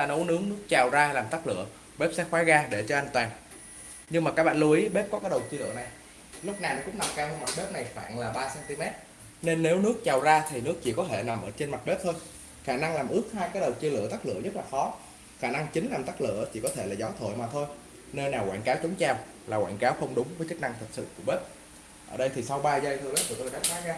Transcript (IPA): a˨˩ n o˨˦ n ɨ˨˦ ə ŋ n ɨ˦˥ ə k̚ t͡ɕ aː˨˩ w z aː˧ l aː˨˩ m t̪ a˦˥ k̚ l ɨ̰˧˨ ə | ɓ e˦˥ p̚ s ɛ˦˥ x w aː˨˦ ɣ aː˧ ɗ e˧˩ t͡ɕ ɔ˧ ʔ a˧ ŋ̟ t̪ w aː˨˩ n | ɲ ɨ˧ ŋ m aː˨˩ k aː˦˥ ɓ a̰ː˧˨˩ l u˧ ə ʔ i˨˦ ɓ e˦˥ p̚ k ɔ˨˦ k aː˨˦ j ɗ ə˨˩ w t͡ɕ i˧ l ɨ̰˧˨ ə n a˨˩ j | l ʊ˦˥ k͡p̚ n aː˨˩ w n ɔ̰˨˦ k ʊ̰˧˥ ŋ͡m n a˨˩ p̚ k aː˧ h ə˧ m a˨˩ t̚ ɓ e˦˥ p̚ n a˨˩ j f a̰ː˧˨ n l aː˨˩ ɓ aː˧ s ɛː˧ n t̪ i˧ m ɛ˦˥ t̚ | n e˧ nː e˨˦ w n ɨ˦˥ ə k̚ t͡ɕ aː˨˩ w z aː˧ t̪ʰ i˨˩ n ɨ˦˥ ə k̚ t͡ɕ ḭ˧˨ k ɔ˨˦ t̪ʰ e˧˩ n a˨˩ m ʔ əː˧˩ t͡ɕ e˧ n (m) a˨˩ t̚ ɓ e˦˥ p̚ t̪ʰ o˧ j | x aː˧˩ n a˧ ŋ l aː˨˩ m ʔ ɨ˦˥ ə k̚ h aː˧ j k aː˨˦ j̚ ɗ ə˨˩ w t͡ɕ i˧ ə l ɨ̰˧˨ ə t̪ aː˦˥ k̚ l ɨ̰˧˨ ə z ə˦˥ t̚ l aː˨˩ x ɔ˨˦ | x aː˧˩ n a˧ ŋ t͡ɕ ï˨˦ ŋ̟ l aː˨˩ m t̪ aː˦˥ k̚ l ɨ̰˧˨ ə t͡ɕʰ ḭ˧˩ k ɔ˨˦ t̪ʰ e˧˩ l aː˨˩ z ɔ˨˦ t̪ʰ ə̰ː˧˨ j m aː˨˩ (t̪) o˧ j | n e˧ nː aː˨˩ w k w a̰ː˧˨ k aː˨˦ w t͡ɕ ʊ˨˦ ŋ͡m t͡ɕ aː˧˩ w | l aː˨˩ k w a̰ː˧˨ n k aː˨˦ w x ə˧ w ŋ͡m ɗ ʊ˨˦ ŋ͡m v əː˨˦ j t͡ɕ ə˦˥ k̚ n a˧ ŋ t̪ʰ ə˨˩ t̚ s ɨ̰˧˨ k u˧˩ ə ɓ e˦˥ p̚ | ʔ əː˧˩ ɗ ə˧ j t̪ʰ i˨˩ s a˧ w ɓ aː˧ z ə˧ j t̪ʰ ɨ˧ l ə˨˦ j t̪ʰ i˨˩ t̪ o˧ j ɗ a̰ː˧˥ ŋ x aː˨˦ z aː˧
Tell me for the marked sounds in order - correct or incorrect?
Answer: correct, incorrect

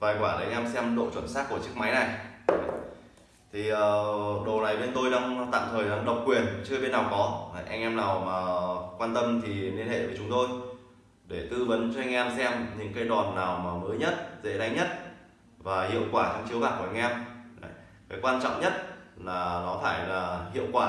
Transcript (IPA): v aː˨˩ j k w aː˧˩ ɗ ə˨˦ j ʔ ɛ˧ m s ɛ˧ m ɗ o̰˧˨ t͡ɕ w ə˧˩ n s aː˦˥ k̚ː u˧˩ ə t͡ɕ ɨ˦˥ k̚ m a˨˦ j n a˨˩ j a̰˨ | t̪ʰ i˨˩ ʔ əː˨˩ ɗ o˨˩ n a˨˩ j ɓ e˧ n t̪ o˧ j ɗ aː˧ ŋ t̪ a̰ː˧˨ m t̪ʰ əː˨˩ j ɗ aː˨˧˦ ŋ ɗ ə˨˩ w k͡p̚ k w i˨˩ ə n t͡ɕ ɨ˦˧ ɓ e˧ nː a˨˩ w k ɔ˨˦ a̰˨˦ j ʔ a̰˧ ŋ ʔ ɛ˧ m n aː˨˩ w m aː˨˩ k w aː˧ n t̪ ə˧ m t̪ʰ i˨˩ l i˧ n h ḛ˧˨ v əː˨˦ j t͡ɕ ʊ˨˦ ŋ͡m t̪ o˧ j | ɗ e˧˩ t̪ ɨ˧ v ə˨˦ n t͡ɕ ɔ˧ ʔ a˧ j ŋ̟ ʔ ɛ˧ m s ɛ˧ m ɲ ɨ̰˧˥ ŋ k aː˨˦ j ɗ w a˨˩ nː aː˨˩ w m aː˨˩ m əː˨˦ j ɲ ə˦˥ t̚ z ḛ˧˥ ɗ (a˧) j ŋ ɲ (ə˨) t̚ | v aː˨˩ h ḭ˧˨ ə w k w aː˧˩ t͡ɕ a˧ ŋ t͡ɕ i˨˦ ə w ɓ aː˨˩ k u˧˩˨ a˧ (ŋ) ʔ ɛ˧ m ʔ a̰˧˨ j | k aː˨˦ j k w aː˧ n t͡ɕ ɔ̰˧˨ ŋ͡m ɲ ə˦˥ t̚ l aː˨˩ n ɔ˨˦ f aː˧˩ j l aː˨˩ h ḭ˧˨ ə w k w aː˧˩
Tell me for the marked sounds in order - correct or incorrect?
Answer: correct, incorrect, correct

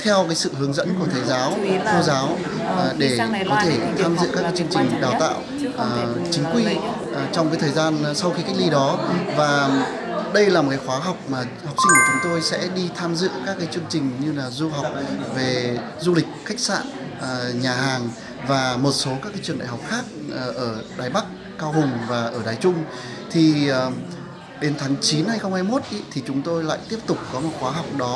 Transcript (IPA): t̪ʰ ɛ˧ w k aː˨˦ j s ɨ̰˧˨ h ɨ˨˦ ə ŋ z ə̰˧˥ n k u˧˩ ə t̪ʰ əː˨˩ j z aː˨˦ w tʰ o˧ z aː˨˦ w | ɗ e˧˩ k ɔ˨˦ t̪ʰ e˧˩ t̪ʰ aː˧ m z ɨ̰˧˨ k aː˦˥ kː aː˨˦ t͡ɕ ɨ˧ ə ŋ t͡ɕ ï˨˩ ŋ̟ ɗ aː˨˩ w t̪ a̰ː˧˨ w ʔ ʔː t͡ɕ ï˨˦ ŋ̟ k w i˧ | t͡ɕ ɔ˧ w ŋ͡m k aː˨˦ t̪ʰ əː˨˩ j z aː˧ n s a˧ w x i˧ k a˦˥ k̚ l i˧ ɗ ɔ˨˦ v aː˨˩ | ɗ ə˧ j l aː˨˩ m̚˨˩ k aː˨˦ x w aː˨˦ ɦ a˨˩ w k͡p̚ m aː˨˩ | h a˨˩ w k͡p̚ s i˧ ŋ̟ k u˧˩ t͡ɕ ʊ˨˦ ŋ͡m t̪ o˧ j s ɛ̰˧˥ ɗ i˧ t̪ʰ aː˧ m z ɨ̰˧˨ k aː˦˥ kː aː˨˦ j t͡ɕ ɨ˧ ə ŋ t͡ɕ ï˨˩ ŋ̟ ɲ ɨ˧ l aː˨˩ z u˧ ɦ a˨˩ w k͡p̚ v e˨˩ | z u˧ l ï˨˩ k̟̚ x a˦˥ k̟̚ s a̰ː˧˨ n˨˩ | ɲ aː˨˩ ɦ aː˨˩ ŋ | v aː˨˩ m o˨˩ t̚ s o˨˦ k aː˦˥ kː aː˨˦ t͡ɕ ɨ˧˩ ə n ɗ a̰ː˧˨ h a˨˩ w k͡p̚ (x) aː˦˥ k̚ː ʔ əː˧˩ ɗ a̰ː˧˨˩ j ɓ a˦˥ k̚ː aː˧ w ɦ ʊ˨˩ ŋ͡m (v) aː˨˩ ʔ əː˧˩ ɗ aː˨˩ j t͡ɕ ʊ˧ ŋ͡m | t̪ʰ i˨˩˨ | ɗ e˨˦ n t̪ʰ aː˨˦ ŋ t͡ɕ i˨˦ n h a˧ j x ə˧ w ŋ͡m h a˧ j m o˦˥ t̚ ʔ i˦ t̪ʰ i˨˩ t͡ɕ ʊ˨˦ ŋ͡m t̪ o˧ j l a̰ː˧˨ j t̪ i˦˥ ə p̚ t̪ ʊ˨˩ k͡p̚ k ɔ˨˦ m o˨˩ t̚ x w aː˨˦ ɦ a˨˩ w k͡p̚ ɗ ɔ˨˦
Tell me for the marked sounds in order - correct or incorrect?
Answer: correct, correct

